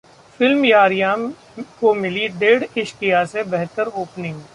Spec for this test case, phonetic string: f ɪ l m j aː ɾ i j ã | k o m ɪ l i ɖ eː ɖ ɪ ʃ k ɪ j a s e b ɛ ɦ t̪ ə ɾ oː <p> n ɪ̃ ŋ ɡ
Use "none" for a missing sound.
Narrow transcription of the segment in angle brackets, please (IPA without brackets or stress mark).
p